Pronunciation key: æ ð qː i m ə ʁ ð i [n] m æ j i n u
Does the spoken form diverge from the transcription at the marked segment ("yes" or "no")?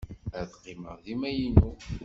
yes